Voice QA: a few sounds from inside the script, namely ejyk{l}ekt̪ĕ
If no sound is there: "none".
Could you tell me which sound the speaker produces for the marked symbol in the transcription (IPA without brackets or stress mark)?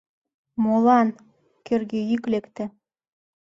l